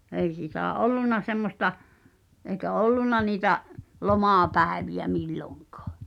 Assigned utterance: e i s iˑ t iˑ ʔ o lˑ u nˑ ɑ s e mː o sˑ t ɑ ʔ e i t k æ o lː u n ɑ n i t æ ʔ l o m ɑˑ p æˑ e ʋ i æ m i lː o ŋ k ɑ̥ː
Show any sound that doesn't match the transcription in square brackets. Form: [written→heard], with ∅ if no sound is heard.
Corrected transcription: e i s iˑ t [iˑ→æˑ] ʔ o lˑ u nˑ ɑ s e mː o sˑ t ɑ ʔ e i [t→∅] k æ o lː u n ɑ n [i→iː] t æ ʔ l o m ɑˑ p æˑ e ʋ i æ m i lː o ŋ k ɑ̥ː